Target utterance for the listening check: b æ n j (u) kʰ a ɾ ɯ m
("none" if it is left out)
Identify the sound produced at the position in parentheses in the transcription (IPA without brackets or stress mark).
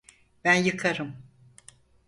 ɯ